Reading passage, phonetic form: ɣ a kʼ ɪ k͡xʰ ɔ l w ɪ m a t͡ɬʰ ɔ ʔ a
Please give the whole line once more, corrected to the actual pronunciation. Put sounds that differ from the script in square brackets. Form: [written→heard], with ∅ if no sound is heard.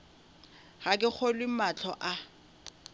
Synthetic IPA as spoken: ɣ a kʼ ɪ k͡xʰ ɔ l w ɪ m a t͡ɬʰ ɔ ʔ a